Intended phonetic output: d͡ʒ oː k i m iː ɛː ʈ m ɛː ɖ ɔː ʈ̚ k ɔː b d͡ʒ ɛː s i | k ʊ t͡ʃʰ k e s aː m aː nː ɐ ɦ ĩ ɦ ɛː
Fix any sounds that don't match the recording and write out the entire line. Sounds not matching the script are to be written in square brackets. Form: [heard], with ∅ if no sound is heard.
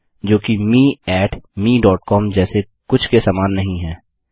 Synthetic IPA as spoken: d͡ʒ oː k i m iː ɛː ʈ m [iː] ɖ ɔː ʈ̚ k ɔː [m] d͡ʒ ɛː s [e] | k ʊ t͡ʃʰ k e s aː m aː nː ɐ ɦ ĩ ɦ ɛː